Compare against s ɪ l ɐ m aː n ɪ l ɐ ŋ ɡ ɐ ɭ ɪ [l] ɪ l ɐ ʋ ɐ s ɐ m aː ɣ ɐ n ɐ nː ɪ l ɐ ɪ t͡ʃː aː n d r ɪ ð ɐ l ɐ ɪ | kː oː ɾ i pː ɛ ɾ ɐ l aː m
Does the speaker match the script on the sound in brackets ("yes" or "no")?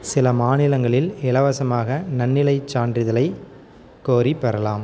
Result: yes